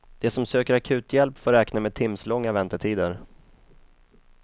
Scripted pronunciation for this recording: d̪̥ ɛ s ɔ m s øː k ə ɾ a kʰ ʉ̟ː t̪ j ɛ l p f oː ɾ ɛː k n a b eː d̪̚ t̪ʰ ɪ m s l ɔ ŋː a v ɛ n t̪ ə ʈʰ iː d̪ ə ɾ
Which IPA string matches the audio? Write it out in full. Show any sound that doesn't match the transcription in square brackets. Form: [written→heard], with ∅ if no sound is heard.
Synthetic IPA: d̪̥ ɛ s ɔ m s øː k ə ɾ a kʰ ʉ̟ː t̪ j ɛ l p f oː ɾ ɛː k n a [b→m] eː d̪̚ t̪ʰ ɪ m s l ɔ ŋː a v ɛ n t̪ ə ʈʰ iː d̪ ə ɾ